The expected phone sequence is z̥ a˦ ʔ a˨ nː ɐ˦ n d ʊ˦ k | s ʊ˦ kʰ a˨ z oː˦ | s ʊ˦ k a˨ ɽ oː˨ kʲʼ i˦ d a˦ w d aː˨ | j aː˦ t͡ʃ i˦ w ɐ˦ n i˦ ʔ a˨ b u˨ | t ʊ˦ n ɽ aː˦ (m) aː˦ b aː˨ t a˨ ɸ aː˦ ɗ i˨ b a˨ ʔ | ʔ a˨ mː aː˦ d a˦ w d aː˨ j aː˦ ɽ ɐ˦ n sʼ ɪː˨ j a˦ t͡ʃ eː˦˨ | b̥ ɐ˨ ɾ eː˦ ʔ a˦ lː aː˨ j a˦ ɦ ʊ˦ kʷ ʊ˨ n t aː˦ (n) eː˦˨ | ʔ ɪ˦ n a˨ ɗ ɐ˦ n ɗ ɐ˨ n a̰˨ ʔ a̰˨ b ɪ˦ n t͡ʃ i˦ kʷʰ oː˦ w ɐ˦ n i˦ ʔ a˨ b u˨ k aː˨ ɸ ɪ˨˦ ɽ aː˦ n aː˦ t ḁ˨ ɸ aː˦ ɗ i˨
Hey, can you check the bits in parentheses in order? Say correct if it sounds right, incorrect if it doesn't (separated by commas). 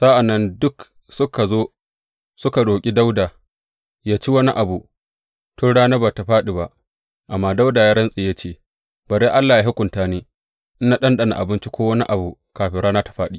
incorrect, correct